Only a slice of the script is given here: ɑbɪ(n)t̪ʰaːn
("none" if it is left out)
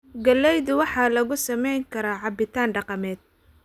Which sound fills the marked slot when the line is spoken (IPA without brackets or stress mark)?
none